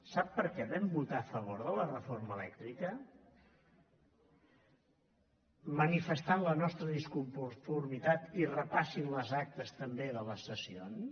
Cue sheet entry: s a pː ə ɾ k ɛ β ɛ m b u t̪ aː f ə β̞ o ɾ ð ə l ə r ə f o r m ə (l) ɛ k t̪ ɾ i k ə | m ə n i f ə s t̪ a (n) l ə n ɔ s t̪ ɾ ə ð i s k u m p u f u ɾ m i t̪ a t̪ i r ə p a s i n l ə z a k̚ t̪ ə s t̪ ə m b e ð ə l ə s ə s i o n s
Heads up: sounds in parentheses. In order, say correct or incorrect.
correct, correct

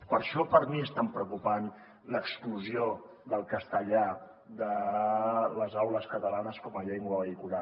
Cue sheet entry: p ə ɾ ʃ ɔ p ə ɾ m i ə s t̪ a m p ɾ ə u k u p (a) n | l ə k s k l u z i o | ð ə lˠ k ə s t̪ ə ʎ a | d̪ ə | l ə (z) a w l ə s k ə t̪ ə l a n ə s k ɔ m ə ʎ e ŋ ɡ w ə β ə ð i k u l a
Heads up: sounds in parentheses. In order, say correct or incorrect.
correct, correct

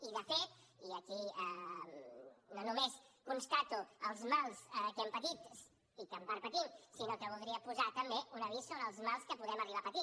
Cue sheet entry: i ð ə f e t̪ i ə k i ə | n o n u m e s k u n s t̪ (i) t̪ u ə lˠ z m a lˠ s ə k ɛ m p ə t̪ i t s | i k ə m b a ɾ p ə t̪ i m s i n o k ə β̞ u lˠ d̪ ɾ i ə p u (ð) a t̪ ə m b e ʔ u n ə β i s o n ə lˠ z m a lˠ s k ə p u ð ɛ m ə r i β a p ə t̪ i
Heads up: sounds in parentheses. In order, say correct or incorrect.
incorrect: a, incorrect: z

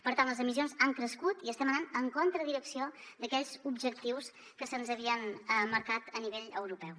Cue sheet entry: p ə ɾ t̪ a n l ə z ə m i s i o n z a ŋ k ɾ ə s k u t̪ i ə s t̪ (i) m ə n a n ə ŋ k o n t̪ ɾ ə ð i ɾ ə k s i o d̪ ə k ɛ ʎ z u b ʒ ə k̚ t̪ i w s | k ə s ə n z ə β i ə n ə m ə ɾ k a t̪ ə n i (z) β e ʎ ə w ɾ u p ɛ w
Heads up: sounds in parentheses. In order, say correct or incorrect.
incorrect: ɛ, incorrect: none

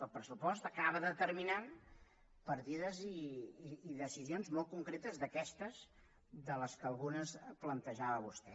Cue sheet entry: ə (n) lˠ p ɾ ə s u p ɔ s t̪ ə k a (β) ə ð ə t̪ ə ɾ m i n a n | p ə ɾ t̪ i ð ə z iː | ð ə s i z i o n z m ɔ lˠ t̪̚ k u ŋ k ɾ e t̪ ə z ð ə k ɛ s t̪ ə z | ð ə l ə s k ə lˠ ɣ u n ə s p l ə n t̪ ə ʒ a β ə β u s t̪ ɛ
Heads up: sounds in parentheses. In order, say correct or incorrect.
incorrect: none, correct

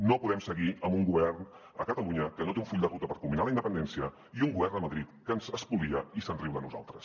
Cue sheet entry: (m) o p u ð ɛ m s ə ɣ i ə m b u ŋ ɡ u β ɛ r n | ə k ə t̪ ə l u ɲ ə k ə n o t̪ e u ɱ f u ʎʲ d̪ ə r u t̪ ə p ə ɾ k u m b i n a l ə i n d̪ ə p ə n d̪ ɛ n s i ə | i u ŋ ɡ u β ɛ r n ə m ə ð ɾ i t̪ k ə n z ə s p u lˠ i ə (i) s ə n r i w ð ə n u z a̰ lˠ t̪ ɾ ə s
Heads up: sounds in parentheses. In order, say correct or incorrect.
incorrect: n, correct

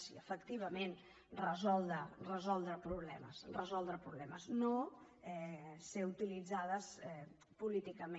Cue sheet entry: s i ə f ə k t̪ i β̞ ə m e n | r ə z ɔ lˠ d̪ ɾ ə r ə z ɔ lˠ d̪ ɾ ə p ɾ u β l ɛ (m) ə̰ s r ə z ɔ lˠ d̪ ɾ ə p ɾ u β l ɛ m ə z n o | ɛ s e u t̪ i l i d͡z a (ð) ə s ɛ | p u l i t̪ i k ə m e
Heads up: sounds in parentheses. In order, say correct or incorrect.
correct, correct

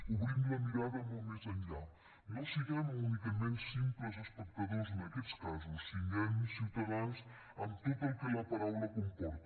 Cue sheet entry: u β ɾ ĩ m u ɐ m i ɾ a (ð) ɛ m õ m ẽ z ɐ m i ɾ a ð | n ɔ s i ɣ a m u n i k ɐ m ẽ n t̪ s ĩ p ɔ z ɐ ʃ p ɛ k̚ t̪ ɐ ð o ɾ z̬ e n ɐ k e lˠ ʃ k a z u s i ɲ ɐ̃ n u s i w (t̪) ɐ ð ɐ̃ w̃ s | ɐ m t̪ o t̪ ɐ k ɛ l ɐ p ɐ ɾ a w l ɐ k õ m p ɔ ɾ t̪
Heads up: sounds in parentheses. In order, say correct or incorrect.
correct, correct

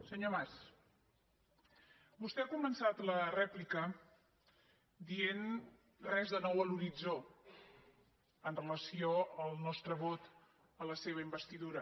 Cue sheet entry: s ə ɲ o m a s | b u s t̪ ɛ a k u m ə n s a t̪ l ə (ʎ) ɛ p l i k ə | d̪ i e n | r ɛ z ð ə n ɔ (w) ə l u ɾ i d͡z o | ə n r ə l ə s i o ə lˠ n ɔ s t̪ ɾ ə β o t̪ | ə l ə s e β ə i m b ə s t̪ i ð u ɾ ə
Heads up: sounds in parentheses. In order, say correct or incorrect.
incorrect: r, correct

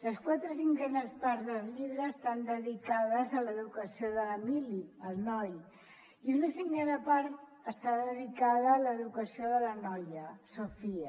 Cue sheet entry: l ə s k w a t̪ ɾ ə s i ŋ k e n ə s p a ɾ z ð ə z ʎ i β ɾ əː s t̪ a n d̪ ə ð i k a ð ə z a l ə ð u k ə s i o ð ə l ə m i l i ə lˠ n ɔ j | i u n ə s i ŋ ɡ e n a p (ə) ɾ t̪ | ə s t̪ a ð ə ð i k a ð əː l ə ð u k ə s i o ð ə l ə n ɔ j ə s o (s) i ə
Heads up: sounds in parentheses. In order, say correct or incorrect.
incorrect: a, incorrect: f

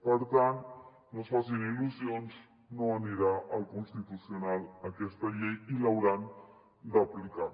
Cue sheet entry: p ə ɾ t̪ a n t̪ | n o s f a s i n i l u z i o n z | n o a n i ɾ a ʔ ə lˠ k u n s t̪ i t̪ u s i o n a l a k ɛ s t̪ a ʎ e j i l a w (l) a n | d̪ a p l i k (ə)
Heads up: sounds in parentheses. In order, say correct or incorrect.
incorrect: ɾ, incorrect: a

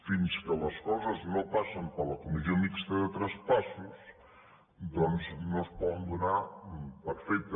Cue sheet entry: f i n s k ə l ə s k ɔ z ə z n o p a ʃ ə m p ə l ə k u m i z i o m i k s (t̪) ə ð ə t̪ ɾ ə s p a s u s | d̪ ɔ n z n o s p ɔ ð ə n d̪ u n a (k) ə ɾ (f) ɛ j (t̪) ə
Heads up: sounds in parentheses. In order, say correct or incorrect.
correct, incorrect: p, correct, correct

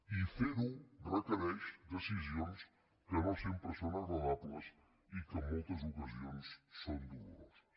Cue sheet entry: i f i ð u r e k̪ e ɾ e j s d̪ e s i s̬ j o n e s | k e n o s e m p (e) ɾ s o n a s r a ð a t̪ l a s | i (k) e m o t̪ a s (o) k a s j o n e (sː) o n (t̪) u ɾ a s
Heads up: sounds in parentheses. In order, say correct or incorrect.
correct, correct, correct, correct, incorrect: d̪

